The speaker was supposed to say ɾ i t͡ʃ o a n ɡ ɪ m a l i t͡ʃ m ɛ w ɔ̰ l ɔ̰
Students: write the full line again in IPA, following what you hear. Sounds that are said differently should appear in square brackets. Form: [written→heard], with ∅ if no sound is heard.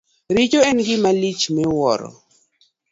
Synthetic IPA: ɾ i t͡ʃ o [a→ɛ] n ɡ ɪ m a l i t͡ʃ m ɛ w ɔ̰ [l→ɾ] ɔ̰